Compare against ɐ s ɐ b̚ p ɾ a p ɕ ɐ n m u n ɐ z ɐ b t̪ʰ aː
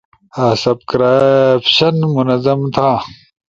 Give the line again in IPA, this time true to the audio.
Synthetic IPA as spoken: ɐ s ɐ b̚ k ɾ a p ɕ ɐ n m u n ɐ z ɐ m t̪ʰ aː